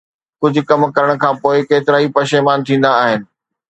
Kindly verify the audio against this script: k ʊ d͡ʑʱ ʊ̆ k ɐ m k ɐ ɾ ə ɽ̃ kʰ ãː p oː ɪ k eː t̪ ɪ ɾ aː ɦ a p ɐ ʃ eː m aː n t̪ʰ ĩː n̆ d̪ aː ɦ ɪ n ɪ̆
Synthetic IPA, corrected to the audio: k ʊ d͡ʑʱ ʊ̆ k ɐ m k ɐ ɾ ə ɽ̃ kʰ ãː p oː ɪ k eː t̪ ɪ ɾ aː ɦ i p ɐ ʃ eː m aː n t̪ʰ ĩː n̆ d̪ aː ɦ ɪ n ɪ̆